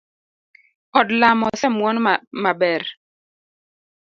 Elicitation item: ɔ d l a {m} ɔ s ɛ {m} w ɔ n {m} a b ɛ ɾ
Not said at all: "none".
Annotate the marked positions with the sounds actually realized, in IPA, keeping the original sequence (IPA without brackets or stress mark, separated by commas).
m, m, m